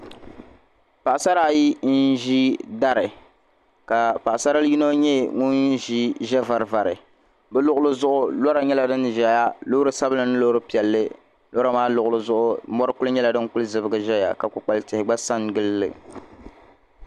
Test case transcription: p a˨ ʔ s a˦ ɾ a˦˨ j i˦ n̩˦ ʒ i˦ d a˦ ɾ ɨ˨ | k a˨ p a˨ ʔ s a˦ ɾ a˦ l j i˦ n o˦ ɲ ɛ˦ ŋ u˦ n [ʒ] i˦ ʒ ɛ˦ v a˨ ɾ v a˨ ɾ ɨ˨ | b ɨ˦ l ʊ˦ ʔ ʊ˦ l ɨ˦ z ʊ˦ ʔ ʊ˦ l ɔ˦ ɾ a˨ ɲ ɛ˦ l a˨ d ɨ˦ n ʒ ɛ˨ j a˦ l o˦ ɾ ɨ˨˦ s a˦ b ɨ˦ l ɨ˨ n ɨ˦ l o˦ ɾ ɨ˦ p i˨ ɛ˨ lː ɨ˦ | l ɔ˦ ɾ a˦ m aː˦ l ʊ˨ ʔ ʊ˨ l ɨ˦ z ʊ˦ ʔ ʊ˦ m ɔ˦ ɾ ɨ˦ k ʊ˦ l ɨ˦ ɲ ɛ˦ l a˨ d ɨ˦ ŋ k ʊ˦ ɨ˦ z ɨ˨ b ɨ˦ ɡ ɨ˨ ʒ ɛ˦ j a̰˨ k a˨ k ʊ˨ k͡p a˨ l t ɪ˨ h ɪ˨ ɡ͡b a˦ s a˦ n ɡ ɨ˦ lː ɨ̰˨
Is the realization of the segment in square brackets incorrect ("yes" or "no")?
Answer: no